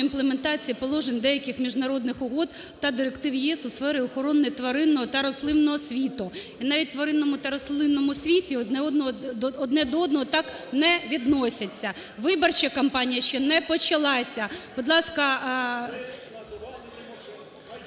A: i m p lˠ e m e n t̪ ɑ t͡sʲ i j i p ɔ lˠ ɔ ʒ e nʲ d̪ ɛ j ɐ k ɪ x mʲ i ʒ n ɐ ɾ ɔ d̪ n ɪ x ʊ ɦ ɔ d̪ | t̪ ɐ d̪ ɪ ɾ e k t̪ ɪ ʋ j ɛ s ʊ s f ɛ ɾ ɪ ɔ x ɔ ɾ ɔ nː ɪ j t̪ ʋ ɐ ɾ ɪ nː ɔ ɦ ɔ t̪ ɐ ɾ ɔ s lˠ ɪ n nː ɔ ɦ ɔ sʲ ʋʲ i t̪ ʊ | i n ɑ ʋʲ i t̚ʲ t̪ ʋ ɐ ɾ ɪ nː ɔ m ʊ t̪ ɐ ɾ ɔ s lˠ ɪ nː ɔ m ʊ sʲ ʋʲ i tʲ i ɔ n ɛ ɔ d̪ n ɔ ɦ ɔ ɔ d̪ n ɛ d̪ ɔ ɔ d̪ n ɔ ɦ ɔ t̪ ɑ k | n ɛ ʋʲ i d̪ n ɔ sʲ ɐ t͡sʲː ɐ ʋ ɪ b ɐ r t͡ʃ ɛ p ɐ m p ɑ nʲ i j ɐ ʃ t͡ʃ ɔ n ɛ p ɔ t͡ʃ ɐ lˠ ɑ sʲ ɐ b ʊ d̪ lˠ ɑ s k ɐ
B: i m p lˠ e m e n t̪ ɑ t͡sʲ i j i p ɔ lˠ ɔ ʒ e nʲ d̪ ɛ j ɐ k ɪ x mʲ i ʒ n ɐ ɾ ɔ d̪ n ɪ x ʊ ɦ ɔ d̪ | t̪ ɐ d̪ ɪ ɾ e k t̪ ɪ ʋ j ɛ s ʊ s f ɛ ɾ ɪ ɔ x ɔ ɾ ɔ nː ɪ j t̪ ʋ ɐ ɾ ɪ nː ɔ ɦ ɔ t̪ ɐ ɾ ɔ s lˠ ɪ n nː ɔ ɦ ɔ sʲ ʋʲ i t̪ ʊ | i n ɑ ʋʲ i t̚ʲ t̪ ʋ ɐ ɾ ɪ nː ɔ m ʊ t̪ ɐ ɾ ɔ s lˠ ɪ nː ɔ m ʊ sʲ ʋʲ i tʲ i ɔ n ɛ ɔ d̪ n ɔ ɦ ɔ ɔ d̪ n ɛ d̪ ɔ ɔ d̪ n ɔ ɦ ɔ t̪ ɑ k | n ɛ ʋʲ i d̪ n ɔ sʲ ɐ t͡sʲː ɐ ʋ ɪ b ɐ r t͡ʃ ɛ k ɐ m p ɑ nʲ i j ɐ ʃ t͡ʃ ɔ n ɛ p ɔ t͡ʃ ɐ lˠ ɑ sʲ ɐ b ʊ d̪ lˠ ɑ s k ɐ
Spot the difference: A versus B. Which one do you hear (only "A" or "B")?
B